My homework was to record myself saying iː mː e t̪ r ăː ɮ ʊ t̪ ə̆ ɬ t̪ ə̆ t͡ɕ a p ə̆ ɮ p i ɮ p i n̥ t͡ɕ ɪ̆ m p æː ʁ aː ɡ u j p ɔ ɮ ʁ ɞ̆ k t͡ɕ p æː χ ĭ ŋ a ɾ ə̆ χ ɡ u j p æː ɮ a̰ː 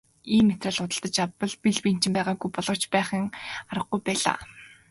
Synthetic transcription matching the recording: iː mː e t̪ r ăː ɮ ʊ t̪ ə̆ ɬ t̪ ə̆ t͡ɕ a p ə̆ ɮ p i ɮ p i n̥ t͡ɕ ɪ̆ m p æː ʁ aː ɡ u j p ɔ ɮ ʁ ɞ̆ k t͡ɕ p æː χ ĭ ŋ a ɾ ə̆ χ ɡ u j p æː ɮ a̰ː